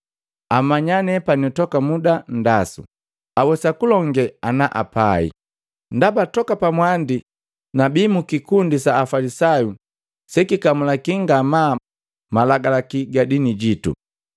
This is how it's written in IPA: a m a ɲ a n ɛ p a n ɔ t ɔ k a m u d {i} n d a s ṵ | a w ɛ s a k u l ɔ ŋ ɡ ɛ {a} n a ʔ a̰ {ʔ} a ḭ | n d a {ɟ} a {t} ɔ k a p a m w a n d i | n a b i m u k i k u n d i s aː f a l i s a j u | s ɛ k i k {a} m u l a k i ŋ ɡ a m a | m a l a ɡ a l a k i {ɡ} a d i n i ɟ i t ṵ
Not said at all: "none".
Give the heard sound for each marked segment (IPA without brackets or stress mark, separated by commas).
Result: a, a, p, b, t, a, ɡ